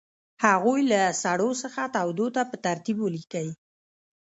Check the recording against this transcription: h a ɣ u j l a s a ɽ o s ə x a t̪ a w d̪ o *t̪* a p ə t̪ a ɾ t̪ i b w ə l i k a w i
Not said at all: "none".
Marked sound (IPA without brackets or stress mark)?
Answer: t̪